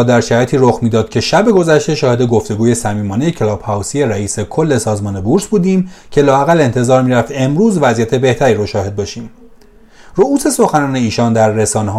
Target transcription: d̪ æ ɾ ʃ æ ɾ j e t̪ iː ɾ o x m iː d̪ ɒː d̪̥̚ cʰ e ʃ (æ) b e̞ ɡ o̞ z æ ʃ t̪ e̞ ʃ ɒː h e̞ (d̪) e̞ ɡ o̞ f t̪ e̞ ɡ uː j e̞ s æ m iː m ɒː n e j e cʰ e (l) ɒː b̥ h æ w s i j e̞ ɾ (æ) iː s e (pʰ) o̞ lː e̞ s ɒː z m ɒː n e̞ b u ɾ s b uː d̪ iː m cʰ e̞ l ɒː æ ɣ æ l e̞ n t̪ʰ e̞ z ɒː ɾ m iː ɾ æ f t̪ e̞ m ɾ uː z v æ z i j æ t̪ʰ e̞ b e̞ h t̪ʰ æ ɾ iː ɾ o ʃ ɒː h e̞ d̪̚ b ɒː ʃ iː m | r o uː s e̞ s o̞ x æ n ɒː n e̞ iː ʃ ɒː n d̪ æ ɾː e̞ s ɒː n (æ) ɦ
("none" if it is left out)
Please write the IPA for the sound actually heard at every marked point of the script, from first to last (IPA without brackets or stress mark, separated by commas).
æ, d̪, l, æ, kʰ, e